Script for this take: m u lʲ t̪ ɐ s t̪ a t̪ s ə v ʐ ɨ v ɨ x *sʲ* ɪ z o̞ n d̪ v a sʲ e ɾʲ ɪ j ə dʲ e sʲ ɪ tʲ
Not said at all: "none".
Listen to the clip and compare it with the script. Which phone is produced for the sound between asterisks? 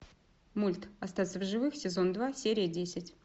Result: sʲ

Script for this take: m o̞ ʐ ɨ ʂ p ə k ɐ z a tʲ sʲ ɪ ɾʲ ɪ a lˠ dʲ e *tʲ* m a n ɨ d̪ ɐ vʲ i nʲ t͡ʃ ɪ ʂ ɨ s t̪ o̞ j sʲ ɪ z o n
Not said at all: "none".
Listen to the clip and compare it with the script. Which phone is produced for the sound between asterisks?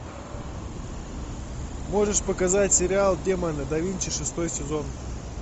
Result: none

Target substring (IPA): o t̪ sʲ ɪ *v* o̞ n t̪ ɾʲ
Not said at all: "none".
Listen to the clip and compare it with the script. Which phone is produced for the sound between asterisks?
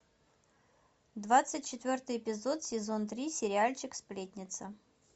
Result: z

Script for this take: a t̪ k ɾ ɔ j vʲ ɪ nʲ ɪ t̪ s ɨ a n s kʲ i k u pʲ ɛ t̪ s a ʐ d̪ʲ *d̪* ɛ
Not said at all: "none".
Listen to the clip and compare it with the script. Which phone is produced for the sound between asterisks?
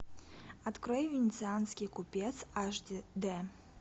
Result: d̪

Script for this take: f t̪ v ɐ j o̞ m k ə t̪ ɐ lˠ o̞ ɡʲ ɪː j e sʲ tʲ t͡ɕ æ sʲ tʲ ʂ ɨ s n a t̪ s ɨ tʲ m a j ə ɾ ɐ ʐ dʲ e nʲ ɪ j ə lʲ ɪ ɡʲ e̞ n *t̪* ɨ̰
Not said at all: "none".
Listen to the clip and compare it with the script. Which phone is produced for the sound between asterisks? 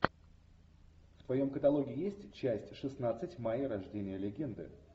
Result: d̪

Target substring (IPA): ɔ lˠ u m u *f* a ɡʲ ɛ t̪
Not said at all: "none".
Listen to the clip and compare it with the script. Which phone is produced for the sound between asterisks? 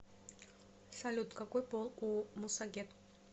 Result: s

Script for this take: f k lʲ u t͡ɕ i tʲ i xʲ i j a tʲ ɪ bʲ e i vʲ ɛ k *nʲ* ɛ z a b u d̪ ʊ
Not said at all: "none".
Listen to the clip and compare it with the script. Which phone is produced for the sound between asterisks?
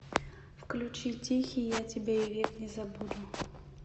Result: nʲ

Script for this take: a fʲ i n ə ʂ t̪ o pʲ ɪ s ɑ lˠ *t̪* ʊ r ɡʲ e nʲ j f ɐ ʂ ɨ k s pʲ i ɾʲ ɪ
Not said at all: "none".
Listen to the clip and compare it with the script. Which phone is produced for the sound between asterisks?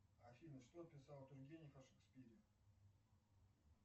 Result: t̪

